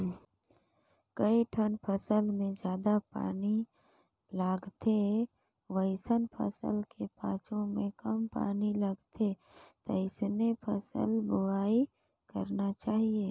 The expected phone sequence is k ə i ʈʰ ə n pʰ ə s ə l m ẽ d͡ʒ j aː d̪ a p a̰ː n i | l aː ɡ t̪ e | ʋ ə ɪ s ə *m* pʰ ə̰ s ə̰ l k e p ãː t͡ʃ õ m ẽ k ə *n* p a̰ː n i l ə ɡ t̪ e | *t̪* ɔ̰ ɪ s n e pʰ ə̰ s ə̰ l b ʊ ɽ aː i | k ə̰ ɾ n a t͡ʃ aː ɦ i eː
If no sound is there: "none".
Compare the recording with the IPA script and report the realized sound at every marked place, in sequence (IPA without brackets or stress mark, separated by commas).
n, m, t̪